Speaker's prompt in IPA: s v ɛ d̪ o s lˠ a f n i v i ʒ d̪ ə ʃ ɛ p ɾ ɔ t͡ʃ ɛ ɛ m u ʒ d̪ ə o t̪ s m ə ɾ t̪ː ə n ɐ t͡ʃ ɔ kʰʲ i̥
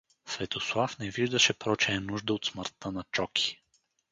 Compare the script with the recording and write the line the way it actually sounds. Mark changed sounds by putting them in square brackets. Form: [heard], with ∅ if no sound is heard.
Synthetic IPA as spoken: s v ɛ [t̪] o s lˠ a f n [ɛ] v i ʒ d̪ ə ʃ ɛ p ɾ ɔ t͡ʃ ɛ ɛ [n] u ʒ d̪ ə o t̪ s m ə ɾ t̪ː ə n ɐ t͡ʃ ɔ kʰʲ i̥